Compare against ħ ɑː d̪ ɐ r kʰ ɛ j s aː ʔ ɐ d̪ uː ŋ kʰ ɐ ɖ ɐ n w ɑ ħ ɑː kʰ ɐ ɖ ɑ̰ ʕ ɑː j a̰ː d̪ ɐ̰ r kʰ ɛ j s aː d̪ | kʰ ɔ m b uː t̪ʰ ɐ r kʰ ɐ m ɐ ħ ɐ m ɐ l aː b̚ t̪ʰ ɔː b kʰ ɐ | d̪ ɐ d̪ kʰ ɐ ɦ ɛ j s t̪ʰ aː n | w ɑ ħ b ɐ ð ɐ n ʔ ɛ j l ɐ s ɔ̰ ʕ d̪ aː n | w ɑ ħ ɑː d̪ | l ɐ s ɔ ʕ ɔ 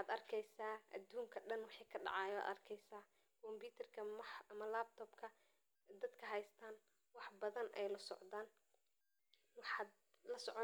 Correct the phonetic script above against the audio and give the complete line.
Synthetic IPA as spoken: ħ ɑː d̪ ɐ r kʰ ɛ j s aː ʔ ɐ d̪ uː ŋ kʰ ɐ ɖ ɐ n w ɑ ħ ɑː kʰ ɐ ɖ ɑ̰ ʕ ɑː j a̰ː d̪ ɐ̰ r kʰ ɛ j s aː | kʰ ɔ m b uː t̪ʰ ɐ r kʰ ɐ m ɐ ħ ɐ m ɐ l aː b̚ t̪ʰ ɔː b kʰ ɐ | d̪ ɐ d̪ kʰ ɐ ɦ ɛ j s t̪ʰ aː n | w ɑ ħ b ɐ ð ɐ n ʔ ɛ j l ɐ s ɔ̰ ʕ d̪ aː n | w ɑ ħ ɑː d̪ | l ɐ s ɔ ʕ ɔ